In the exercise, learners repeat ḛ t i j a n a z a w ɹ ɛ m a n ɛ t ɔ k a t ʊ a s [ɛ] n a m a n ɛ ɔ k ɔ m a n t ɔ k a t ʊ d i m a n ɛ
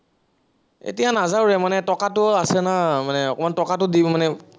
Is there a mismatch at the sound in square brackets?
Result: no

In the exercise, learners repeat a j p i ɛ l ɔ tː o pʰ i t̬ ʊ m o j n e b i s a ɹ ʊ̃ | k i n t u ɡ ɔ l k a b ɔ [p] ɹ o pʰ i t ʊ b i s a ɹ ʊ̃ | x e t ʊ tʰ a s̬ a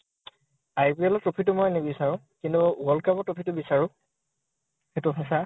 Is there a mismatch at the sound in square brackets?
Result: yes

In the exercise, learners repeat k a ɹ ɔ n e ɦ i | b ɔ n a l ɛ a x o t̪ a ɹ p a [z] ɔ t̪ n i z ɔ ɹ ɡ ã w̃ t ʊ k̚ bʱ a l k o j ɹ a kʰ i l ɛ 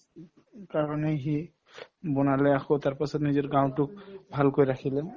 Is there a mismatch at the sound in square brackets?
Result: yes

